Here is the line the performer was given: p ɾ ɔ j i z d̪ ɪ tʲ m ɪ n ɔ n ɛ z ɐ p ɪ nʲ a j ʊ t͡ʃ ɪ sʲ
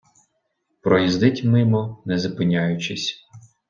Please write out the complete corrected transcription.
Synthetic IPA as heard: p ɾ ɔ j i z d̪ ɪ tʲ m ɪ m ɔ n ɛ z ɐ p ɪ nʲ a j ʊ t͡ʃ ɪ sʲ